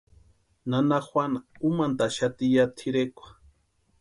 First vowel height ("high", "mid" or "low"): low